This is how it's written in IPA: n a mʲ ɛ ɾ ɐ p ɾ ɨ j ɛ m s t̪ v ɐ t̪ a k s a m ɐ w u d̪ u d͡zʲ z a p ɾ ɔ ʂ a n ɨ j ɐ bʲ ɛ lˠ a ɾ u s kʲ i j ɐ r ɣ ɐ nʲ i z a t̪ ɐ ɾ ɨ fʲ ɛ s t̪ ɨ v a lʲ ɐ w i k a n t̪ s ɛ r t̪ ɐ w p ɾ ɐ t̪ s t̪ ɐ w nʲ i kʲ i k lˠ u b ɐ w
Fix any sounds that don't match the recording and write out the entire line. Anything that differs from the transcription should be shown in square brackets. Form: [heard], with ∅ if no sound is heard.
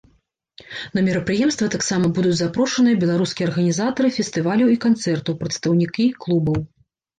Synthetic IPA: n [ɐ] mʲ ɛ ɾ ɐ p ɾ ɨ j ɛ m s t̪ v ɐ t̪ a k s a m ɐ [b] u d̪ u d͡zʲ z a p ɾ ɔ ʂ [ɐ] n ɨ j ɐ bʲ ɛ lˠ a ɾ u s kʲ i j ɐ r ɣ ɐ nʲ i z a t̪ ɐ ɾ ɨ fʲ ɛ s t̪ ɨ v a lʲ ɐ w i k a n t̪ s ɛ r t̪ ɐ w p ɾ ɐ t̪ s t̪ ɐ w nʲ i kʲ i k lˠ u b ɐ w

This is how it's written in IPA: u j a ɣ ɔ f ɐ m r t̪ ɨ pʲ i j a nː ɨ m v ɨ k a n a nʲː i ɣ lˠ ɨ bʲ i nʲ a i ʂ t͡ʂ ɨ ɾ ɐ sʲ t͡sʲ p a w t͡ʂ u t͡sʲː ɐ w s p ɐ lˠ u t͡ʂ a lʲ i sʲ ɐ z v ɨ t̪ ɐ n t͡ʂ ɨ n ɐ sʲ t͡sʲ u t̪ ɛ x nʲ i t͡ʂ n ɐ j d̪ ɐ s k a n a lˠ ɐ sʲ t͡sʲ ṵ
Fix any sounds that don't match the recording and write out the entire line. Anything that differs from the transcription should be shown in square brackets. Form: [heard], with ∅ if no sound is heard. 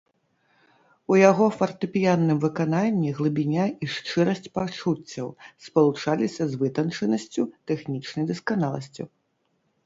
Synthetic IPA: u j a ɣ ɔ f ɐ [∅] r t̪ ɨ pʲ i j a nː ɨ m v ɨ k a n a nʲː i ɣ lˠ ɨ bʲ i nʲ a i ʂ t͡ʂ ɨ ɾ ɐ sʲ t͡sʲ p a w t͡ʂ u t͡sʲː ɐ w s p ɐ lˠ u t͡ʂ a lʲ i sʲ ɐ z v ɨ t̪ ɐ n t͡ʂ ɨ n ɐ sʲ t͡sʲ u t̪ ɛ x nʲ i t͡ʂ n ɐ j d̪ ɐ s k a n a lˠ ɐ sʲ t͡sʲ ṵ

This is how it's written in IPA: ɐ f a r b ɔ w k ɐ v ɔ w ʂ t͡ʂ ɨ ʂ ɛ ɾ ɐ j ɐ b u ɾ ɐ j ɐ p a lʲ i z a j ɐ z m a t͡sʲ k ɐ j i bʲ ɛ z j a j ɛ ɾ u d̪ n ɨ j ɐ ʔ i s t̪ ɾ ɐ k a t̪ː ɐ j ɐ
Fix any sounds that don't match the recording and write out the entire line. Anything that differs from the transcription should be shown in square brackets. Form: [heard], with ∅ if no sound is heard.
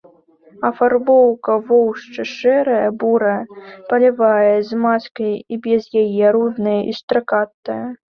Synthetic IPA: ɐ f a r b ɔ w k ɐ v ɔ w ʂ t͡ʂ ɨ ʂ ɛ ɾ ɐ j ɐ b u ɾ ɐ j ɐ p [ɐ] lʲ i [v] a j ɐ z m a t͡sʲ k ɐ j i bʲ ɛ z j a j ɛ ɾ u d̪ n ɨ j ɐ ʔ i s t̪ ɾ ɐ k a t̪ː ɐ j ɐ

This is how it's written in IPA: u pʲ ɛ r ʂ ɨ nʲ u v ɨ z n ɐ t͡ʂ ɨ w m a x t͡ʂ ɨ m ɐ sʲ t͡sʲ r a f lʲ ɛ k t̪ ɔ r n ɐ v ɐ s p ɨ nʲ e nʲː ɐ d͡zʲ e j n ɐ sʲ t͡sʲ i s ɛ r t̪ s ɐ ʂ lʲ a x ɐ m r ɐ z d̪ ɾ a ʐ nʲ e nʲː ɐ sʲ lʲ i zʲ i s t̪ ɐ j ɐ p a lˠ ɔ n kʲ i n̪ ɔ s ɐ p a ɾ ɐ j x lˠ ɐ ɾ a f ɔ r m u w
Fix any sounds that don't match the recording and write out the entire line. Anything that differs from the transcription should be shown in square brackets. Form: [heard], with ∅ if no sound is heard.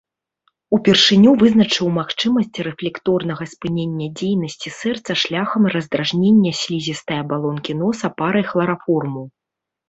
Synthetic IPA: u pʲ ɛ r ʂ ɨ nʲ u v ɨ z n ɐ t͡ʂ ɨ w m a x t͡ʂ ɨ m ɐ sʲ t͡sʲ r [ɛ] f lʲ ɛ k t̪ ɔ r n ɐ [ɣ] ɐ s p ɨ nʲ e nʲː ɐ d͡zʲ e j n ɐ sʲ t͡sʲ i s ɛ r t̪ s ɐ ʂ lʲ a x ɐ m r ɐ z d̪ ɾ a ʐ nʲ e nʲː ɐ sʲ lʲ i zʲ i s t̪ ɐ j ɐ [b] a lˠ ɔ n kʲ i n̪ ɔ s ɐ p a ɾ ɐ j x lˠ ɐ ɾ a f ɔ r m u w

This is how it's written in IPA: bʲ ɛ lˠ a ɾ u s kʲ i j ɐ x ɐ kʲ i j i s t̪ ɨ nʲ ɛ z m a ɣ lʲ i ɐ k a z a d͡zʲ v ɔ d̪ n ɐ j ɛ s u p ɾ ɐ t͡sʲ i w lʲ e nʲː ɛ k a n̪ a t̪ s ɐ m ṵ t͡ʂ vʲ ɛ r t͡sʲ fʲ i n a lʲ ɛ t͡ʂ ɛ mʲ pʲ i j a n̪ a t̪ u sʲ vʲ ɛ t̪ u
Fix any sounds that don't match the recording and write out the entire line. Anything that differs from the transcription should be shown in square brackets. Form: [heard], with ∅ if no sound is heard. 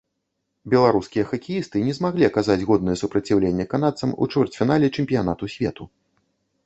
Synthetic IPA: bʲ ɛ lˠ a ɾ u s kʲ i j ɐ x ɐ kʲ i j i s t̪ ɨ nʲ ɛ z m a ɣ lʲ i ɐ k a z a d͡zʲ [ɣ] ɔ d̪ n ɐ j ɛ s u p ɾ ɐ t͡sʲ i w lʲ e nʲː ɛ k a n̪ a t̪ s ɐ m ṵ t͡ʂ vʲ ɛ r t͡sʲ fʲ i n a lʲ ɛ t͡ʂ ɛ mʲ pʲ i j a n̪ a t̪ u sʲ vʲ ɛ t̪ u

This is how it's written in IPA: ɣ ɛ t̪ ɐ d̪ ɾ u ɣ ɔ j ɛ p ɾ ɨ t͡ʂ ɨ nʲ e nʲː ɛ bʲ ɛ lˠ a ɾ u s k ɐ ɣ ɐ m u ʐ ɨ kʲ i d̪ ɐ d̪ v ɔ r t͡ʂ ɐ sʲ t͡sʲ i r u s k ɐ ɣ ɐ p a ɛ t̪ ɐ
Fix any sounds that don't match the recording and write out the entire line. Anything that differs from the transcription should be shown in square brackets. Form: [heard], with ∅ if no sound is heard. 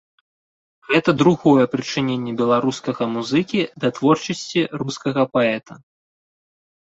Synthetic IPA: ɣ ɛ t̪ ɐ d̪ ɾ u ɣ ɔ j ɛ p ɾ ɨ t͡ʂ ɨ nʲ e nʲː ɛ bʲ ɛ lˠ a ɾ u s k ɐ ɣ ɐ m u [z] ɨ kʲ i d̪ ɐ [t̪] v ɔ r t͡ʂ ɐ sʲ t͡sʲ i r u s k ɐ ɣ ɐ p a ɛ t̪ ɐ

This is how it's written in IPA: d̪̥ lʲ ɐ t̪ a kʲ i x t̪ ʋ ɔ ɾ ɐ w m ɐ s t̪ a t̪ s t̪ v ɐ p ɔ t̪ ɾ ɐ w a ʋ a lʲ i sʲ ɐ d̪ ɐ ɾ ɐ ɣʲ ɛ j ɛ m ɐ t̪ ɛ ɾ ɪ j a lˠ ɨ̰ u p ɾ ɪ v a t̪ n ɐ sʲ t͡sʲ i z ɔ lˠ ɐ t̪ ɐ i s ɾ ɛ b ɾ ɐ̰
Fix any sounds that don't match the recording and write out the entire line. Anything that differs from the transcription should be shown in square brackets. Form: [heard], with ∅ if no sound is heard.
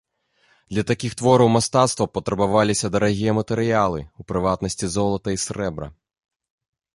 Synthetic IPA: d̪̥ lʲ ɐ t̪ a kʲ i x t̪ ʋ ɔ ɾ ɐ w m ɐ s t̪ a t̪ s t̪ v ɐ p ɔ t̪ ɾ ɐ [b] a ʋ a lʲ i sʲ ɐ d̪ ɐ ɾ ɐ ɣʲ [i] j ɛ m ɐ t̪ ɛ ɾ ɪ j a lˠ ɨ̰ u p ɾ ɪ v a t̪ n ɐ sʲ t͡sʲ i z ɔ lˠ ɐ t̪ ɐ i s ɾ ɛ b ɾ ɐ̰

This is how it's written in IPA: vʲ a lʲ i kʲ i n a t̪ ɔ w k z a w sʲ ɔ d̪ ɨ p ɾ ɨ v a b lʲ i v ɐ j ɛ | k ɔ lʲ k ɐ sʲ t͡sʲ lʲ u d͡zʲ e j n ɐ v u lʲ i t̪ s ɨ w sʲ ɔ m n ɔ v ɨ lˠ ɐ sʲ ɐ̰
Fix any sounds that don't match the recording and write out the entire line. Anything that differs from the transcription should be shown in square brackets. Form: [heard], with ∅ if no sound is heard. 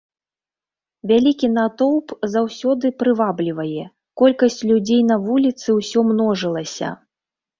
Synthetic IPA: vʲ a lʲ i kʲ i n a t̪ ɔ w [p] z a w sʲ ɔ d̪ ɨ p ɾ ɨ v a b lʲ i v ɐ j ɛ | k ɔ lʲ k ɐ sʲ t͡sʲ lʲ u d͡zʲ e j n ɐ v u lʲ i t̪ s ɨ w sʲ ɔ m n ɔ [ʐ] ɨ lˠ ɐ sʲ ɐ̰

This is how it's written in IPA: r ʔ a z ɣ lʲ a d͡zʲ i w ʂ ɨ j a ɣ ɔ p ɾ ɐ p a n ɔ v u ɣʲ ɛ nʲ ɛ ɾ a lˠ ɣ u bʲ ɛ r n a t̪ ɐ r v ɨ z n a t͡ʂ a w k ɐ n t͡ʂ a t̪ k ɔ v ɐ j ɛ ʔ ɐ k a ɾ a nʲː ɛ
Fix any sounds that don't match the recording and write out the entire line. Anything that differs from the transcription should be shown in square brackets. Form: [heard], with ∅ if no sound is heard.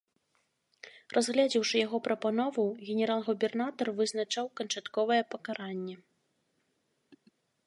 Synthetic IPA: r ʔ a z ɣ lʲ a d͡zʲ i w ʂ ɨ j a ɣ ɔ p ɾ ɐ p a n ɔ v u ɣʲ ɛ nʲ ɛ ɾ a lˠ ɣ u bʲ ɛ r n a t̪ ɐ r v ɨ z n a t͡ʂ a w k ɐ n t͡ʂ a t̪ k ɔ v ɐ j ɛ [p] ɐ k a ɾ a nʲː ɛ

